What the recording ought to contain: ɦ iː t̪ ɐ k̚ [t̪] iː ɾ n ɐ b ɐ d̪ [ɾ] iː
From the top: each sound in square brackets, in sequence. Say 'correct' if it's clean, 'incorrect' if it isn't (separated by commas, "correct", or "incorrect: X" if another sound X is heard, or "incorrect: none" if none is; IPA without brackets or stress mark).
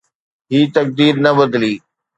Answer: incorrect: d̪, incorrect: l